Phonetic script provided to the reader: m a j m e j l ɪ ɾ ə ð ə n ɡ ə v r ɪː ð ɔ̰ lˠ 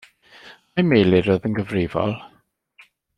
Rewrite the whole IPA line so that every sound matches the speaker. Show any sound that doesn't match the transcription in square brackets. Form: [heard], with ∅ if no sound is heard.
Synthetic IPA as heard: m a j m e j l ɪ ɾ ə ð ə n ɡ ə v r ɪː [v] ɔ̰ lˠ